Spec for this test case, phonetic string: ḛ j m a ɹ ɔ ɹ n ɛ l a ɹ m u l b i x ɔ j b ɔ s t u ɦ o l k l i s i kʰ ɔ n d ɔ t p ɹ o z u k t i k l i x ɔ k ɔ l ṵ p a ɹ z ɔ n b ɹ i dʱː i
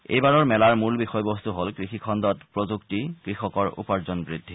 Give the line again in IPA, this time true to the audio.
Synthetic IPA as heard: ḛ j b a ɹ ɔ ɹ m ɛ l a ɹ m u l b i x ɔ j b ɔ s t u ɦ o l k ɹ i x i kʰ ɔ n d ɔ t p ɹ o z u k t i k ɹ i x ɔ k ɔ ɹ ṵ p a ɹ z ɔ n b ɹ i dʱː i